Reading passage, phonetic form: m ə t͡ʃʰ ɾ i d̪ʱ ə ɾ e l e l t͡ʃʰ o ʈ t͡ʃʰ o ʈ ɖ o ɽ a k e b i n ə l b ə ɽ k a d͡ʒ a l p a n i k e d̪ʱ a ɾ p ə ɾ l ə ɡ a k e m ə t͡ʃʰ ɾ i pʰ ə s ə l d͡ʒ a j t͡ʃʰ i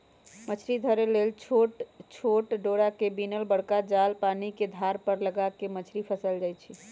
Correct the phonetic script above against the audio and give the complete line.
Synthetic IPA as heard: m ə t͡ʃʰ ɾ i d̪ʱ ə ɾ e l e l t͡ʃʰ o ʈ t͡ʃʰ o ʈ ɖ o ɽ a k e b i n ə l b ə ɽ k a d͡ʒ a l p a n i k e d̪ʱ a ɾ p ə ɾ l ə ɡ a k e m ə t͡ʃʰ ɾ i pʰ ə s ə l d͡ʒ a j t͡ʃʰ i

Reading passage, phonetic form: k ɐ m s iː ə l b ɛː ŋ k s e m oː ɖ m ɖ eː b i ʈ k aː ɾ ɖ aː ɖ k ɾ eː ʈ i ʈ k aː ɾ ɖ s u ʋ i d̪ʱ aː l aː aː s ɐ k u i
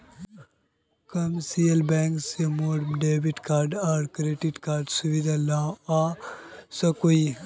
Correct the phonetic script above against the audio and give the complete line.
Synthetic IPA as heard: k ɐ m s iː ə l b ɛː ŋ k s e m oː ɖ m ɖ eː b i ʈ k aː ɾ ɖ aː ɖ k ɾ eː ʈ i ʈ k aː ɾ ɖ s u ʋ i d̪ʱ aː l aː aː s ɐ k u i

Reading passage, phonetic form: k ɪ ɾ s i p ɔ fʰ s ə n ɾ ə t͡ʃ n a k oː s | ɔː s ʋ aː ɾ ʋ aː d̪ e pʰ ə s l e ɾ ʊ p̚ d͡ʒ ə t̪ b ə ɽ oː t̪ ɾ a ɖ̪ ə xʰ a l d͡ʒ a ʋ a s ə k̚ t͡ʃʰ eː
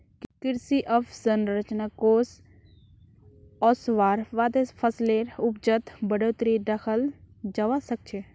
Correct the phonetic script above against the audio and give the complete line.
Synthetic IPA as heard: k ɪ ɾ s i ʔ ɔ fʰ s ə n ɾ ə t͡ʃ n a k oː s | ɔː s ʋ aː ɾ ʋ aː d̪ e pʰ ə s l e ɾ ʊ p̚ d͡ʒ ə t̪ b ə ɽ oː t̪ ɾ i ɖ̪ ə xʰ ə l d͡ʒ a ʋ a s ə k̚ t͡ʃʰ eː

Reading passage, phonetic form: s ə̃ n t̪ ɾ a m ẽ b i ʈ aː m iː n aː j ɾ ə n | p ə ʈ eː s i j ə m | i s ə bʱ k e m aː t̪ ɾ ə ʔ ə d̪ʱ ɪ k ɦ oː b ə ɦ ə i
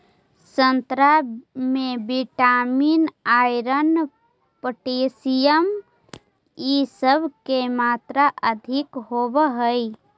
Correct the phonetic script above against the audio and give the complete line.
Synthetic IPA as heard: s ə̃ n t̪ ɾ a m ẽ b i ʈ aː m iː n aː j ɾ ə n | p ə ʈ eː s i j ə m | i s ə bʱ k e m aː t̪ ɾ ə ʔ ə d̪ʱ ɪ k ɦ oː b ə ɦ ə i

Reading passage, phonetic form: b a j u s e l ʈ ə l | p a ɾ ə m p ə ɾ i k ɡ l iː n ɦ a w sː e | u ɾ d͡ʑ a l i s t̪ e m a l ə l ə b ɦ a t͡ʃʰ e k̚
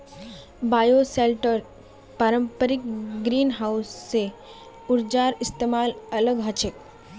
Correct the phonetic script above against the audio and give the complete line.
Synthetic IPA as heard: b a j o s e l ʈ ə ɾ | p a ɾ ə m p ə ɾ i k ɡ ɾ iː n ɦ a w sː e | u ɾ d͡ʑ a ɾ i s t̪ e m a l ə l ə ɡ ɦ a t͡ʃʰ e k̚

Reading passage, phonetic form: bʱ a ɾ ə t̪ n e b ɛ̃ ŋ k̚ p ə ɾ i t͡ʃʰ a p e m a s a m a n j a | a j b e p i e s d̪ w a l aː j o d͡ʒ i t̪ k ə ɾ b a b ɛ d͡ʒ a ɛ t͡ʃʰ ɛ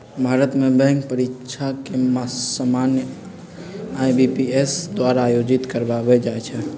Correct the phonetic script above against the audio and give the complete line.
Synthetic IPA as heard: bʱ a ɾ ə t̪ m e b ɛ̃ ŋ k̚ p ə ɾ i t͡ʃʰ a k e m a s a m a n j ə | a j b i p i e s d̪ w a ɾ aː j o d͡ʒ i t̪ k ə ɾ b a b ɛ d͡ʒ a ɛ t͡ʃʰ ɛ

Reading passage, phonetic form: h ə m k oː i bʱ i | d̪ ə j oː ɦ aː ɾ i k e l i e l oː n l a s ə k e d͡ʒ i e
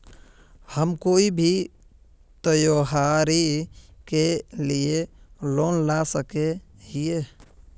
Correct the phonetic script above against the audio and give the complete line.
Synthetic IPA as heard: h ə m k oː i bʱ i | t̪ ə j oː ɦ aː ɾ i k e l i e l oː n l a s ə k e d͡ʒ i e

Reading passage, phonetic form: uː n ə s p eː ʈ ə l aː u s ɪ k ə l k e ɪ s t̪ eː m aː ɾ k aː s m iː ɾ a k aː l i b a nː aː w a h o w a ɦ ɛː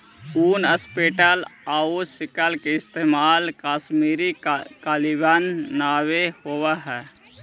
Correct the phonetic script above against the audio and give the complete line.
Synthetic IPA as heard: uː n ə s p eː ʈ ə l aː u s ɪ k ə l k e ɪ s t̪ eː m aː l k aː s m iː ɾ i k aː l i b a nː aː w e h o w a ɦ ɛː

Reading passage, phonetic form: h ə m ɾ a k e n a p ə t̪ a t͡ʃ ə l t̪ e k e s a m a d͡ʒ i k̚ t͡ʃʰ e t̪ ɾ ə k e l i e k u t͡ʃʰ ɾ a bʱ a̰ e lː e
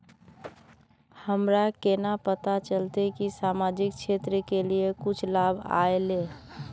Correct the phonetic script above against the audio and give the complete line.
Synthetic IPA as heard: h ə m ɾ a k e n a p ə t̪ a t͡ʃ ə l t̪ e k i s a m a d͡ʒ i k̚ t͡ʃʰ e t̪ ɾ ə k e l i e k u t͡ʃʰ l a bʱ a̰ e l e

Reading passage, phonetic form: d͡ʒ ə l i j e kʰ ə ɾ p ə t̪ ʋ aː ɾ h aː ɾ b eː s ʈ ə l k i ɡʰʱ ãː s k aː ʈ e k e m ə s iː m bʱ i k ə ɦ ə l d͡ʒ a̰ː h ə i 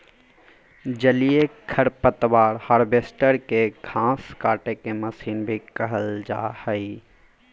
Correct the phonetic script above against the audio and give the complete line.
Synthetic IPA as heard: d͡ʒ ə l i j e kʰ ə ɾ p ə t̪ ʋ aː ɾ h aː ɾ b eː s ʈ ə ɾ k e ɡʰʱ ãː s k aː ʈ e k e m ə s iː n bʱ i k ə ɦ ə l d͡ʒ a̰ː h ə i

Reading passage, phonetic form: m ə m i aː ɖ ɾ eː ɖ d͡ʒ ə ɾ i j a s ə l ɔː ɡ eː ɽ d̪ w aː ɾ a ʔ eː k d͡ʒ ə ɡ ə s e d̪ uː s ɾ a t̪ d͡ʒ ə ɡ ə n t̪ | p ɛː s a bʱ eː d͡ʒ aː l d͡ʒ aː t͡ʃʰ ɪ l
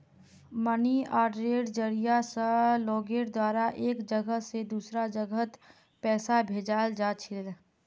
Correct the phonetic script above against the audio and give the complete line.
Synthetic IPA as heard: m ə n i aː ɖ ɾ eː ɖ d͡ʒ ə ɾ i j a s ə l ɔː ɡ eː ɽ d̪ w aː ɾ a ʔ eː k d͡ʒ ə ɡ ə s e d̪ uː s ɾ a d͡ʒ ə ɡ ə t̪ | p ɛː s a bʱ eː d͡ʒ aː l d͡ʒ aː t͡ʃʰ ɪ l

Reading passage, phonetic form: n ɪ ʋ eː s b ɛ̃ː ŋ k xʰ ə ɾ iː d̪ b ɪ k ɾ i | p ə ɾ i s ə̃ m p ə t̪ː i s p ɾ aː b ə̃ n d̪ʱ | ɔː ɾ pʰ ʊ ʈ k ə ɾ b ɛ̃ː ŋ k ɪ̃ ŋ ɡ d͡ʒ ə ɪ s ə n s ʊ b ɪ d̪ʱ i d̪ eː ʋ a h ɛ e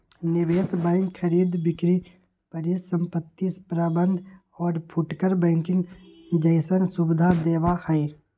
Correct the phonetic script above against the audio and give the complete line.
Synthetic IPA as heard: n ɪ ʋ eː s b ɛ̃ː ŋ k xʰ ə ɾ iː d̪ b ɪ k ɾ i | p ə ɾ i s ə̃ m p ə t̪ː i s p ɾ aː b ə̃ n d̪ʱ | ɔː ɾ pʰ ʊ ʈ k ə ɾ b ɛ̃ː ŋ k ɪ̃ ŋ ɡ d͡ʒ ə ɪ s ə n s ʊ b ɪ d̪ʱ a d̪ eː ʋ a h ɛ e

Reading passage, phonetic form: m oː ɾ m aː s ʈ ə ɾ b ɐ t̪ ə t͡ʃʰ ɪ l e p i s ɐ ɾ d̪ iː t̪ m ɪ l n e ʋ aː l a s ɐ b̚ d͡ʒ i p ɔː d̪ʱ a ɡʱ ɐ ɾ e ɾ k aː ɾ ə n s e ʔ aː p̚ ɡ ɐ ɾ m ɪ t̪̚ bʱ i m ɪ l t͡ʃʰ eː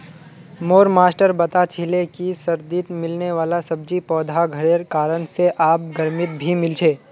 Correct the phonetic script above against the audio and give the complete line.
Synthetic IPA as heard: m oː ɾ m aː s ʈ ə ɾ b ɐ t̪ a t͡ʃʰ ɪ l e k i s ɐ ɾ d̪ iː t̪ m ɪ l n e ʋ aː l a s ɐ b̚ d͡ʒ i p ɔː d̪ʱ a ɡʱ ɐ ɾ e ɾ k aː ɾ ə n s e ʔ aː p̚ ɡ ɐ ɾ m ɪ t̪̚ bʱ i m ɪ l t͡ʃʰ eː

